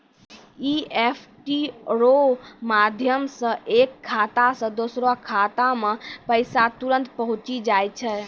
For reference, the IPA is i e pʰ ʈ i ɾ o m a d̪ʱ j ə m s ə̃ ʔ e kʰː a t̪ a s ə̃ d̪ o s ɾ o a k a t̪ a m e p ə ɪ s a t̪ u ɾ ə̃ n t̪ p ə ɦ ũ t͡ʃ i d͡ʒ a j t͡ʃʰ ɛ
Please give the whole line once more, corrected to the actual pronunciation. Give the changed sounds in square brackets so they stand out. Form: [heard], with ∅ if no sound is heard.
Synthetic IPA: i e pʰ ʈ i ɾ o m a d̪ʱ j ə m s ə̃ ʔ e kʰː a t̪ a s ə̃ d̪ o s ɾ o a [kʰ] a t̪ a m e p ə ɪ s a t̪ u ɾ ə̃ n t̪ p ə ɦ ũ t͡ʃ i d͡ʒ a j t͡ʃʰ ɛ